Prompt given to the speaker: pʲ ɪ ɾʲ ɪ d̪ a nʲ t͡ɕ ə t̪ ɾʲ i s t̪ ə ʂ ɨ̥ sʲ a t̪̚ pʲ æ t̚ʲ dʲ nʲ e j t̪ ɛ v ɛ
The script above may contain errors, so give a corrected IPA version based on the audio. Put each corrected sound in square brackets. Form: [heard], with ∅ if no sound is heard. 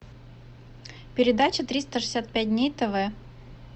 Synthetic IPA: pʲ ɪ ɾʲ ɪ d̪ a [∅] t͡ɕ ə t̪ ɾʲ i s t̪ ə ʂ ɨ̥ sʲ a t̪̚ pʲ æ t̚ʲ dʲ nʲ e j t̪ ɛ v ɛ